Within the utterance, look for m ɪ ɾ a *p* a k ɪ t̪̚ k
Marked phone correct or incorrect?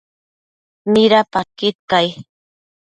correct